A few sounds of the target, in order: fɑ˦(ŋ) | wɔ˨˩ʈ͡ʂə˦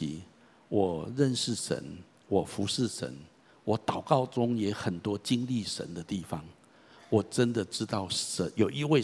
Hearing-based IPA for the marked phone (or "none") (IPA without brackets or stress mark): ŋ